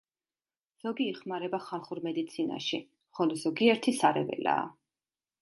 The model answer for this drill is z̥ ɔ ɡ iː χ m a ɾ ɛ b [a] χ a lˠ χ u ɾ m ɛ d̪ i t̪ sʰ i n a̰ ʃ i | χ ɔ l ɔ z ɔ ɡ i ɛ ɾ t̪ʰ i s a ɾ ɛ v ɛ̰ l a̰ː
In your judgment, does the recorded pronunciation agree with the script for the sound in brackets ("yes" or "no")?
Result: yes